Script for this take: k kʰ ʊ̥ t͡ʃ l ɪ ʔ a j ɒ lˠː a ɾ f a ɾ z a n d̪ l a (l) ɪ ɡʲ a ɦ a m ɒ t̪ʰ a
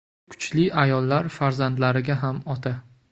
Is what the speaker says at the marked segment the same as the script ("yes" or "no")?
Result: no